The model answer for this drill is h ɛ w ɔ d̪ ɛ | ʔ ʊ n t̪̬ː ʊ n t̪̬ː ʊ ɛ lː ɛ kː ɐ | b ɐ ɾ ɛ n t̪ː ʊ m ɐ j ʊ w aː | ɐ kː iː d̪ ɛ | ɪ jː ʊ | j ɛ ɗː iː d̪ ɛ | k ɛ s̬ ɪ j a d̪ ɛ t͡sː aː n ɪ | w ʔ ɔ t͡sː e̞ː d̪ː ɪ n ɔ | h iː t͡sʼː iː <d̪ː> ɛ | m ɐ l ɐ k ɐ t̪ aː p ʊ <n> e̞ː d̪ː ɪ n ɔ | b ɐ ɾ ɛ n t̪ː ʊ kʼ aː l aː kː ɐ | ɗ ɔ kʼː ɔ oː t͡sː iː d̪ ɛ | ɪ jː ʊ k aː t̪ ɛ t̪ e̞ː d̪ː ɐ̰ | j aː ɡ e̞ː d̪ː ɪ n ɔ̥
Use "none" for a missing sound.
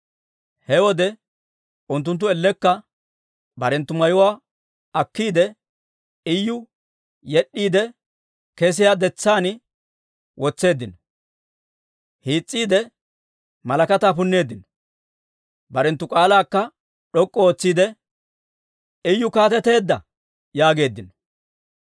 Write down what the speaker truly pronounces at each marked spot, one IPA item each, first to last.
d̪, nː

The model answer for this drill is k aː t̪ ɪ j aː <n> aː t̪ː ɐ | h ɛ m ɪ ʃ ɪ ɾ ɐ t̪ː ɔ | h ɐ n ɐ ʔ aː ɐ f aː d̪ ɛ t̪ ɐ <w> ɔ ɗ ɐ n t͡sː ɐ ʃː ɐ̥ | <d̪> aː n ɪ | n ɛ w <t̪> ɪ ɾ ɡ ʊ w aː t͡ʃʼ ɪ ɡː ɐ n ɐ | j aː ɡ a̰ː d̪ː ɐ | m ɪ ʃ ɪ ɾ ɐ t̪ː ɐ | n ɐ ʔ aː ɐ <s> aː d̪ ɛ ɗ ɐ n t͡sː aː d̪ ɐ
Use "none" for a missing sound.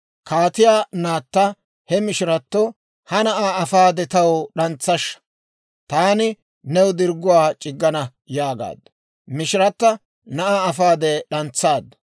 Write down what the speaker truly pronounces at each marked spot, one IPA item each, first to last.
n, w, t̪, d̪, f

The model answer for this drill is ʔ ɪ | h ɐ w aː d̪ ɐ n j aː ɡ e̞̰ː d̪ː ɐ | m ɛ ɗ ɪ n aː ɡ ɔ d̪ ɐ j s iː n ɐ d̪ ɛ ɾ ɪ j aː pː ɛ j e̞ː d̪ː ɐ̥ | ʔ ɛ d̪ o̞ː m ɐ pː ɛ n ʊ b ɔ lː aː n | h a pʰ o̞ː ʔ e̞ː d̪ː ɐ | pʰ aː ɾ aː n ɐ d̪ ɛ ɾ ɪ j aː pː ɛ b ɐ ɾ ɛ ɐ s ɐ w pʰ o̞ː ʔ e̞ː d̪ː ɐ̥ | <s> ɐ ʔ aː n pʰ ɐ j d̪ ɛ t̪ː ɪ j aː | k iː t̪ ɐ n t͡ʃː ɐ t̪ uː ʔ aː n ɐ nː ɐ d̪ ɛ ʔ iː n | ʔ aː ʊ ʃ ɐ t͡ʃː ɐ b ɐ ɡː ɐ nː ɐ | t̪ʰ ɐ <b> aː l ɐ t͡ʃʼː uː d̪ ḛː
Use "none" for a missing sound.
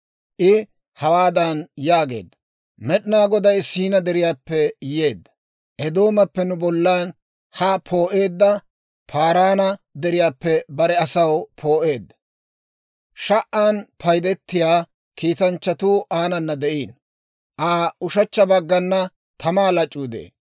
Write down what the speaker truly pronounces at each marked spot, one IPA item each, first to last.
ʃ, m

